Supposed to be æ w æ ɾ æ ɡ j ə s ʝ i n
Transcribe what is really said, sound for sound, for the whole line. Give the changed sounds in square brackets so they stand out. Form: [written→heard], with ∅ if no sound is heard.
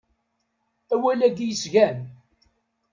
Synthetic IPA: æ w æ [ɾ→l] æ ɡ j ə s ʝ [i→æ] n